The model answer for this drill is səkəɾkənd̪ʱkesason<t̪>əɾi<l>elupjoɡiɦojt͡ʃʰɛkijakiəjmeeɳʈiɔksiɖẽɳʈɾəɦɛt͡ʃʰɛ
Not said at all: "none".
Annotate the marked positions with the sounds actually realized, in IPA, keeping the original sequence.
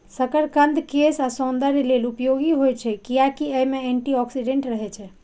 d̪, l

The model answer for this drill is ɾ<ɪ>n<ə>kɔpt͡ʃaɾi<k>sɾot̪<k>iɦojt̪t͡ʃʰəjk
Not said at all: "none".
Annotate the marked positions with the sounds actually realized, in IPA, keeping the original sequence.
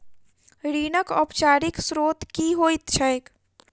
i, ə, k, k

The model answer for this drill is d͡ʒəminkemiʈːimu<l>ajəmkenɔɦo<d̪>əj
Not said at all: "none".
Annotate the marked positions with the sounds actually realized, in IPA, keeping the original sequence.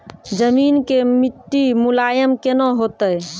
l, t̪

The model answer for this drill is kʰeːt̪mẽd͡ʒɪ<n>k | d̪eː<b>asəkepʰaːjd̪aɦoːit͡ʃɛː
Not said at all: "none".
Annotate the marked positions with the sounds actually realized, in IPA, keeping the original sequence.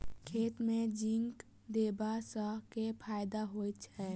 ŋ, b

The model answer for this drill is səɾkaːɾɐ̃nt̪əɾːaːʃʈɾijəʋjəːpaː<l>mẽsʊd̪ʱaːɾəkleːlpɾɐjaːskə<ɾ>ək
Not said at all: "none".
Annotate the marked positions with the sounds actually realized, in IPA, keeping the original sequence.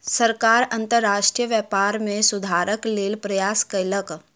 ɾ, l

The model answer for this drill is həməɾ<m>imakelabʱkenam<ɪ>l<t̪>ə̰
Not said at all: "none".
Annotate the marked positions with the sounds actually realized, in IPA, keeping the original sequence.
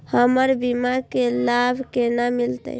b, i, t̪

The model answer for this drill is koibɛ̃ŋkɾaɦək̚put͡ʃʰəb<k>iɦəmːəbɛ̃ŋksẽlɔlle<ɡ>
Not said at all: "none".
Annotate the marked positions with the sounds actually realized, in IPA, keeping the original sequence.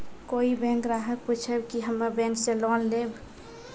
k, b

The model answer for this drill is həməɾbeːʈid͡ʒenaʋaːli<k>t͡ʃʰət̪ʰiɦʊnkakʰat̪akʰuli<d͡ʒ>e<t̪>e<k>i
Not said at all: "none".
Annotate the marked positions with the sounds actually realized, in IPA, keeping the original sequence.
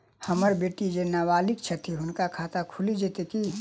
k, d͡ʒ, t̪, k

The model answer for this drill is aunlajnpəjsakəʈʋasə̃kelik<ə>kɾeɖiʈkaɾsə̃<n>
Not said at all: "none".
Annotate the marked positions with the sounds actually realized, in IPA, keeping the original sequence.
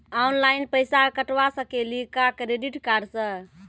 a, none

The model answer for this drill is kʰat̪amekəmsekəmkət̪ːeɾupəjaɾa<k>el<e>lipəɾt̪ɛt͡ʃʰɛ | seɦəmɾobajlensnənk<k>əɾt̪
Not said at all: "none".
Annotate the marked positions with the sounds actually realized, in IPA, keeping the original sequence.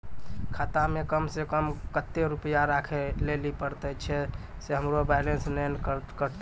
kʰ, e, k

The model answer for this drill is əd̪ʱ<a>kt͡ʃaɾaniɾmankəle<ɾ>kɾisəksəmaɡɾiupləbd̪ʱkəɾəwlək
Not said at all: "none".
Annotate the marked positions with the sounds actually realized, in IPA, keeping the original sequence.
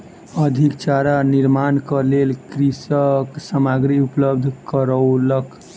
i, l

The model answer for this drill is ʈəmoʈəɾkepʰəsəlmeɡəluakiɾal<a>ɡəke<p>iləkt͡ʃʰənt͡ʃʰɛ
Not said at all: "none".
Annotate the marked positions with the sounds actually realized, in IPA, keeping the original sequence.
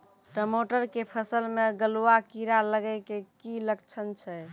ə, k

